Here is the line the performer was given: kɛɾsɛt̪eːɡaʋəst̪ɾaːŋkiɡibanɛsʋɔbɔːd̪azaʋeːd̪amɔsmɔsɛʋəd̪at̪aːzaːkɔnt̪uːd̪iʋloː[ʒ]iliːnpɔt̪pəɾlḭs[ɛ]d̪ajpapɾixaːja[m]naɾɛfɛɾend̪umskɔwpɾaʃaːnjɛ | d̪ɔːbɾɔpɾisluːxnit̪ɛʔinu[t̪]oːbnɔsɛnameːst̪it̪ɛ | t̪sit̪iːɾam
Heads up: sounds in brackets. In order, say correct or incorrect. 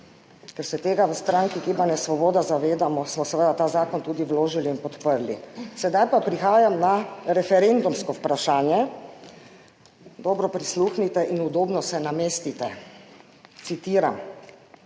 correct, correct, correct, incorrect: d̪

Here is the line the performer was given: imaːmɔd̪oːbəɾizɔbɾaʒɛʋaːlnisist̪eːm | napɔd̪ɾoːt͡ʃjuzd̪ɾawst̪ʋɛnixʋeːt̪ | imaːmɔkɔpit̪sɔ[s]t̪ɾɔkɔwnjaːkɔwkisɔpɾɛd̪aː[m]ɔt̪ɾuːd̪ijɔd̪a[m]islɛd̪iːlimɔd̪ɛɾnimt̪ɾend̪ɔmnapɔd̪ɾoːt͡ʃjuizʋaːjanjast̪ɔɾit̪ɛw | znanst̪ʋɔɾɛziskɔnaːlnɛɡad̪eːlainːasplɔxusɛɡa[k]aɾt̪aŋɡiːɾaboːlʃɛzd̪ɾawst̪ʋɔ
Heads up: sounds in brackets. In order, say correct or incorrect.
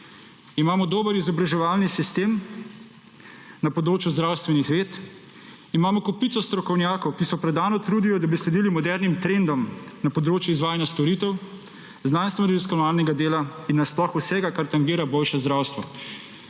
correct, incorrect: n, incorrect: b, correct

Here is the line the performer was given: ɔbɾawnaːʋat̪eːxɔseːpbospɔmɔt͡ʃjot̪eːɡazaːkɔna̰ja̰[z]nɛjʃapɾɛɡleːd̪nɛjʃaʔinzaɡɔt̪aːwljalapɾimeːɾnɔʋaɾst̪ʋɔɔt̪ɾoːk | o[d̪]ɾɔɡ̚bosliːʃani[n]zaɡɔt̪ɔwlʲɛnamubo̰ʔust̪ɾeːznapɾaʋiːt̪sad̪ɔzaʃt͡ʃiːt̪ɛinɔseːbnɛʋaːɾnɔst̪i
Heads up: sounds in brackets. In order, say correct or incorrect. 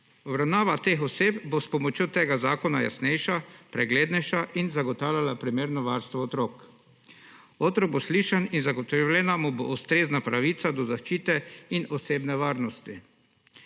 incorrect: s, incorrect: t̪, correct

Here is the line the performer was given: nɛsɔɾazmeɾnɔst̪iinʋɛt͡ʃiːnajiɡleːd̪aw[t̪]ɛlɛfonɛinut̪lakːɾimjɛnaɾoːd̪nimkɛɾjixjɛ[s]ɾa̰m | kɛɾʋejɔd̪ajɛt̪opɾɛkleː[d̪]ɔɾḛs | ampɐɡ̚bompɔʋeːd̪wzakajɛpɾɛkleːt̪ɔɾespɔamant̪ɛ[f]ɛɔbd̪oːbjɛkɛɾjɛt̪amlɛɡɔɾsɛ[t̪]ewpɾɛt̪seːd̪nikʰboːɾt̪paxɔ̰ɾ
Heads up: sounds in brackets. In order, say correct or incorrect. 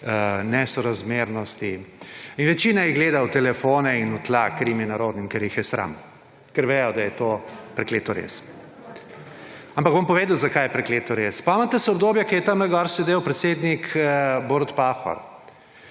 correct, correct, incorrect: t̪, incorrect: s, incorrect: d̪

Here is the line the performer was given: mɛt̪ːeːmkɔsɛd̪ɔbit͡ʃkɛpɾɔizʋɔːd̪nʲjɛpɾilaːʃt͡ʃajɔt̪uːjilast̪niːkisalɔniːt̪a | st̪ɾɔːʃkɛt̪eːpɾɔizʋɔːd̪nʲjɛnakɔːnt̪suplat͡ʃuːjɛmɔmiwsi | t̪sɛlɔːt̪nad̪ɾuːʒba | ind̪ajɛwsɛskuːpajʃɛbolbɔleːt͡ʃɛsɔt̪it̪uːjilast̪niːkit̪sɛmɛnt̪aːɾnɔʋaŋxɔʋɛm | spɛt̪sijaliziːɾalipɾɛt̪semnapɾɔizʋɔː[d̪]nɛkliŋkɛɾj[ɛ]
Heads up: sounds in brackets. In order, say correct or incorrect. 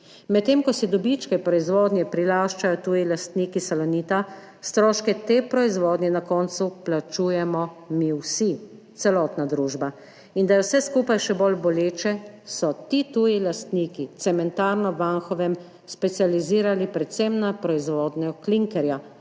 correct, incorrect: a

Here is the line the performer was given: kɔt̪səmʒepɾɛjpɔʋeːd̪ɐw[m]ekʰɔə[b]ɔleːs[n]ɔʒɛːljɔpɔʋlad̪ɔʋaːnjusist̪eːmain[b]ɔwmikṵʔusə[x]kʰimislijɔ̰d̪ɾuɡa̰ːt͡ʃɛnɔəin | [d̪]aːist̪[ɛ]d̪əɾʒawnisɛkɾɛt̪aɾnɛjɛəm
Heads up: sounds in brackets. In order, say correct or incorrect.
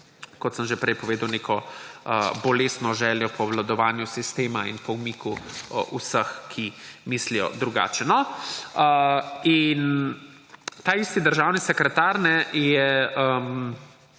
incorrect: n, correct, correct, incorrect: p, correct, incorrect: t̪, incorrect: i

